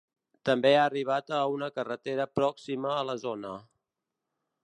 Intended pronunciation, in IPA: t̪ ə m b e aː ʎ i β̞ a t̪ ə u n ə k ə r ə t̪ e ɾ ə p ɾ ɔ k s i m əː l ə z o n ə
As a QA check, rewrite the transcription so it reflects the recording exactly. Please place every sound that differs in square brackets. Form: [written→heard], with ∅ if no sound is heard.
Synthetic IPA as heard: t̪ ə m b e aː [ʎ→r] i β̞ a t̪ ə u n ə k ə r ə t̪ e ɾ ə p ɾ ɔ k s i m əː l ə z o n ə

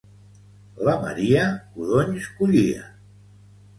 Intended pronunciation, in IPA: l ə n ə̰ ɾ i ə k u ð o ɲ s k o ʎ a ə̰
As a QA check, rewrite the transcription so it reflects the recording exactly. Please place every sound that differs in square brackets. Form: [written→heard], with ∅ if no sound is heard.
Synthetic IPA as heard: l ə [n→m] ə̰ ɾ i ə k u ð o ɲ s k [o→u] ʎ [a→i] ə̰

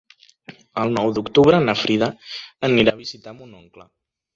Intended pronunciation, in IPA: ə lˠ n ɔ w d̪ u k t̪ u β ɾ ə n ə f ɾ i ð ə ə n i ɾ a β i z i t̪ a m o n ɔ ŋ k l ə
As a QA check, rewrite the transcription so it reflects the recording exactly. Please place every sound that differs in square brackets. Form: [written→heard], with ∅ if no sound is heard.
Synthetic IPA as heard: ə lˠ n ɔ w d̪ u k t̪ u β ɾ ə n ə f ɾ i ð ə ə n i ɾ a β i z i t̪ a m [o→u] n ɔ ŋ k l ə

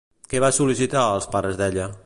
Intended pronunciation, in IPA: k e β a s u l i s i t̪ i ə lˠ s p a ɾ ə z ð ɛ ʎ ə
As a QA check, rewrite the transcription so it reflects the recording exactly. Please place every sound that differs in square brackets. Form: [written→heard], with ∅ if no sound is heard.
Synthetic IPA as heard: k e β a s u l i s i t̪ [i→a] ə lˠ s p a ɾ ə z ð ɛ ʎ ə

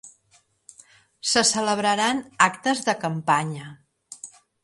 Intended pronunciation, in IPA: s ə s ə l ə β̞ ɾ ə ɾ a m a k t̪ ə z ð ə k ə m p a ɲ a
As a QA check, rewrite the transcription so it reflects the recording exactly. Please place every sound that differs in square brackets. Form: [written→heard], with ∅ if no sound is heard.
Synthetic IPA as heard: s ə s ə l ə β̞ ɾ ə ɾ a [m→n] a k t̪ ə z ð ə k ə m p a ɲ [a→ə]

